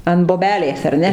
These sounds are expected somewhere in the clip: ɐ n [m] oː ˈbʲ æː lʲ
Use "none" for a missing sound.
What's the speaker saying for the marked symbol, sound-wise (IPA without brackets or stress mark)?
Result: b